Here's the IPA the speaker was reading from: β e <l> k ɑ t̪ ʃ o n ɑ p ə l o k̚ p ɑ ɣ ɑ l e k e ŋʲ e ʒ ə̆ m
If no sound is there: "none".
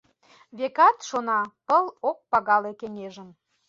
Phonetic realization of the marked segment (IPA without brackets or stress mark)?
none